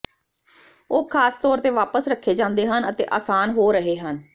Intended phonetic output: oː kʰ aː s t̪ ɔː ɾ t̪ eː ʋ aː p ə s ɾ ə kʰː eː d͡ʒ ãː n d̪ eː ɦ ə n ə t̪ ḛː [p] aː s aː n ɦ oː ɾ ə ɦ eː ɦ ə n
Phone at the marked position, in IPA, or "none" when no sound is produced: ʔ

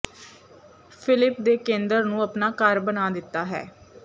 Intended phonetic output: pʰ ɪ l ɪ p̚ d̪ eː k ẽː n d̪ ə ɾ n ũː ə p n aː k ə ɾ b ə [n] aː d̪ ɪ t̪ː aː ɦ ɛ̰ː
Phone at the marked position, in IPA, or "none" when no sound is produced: n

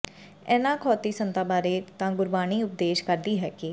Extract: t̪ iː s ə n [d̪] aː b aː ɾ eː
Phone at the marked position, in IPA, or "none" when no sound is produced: t̪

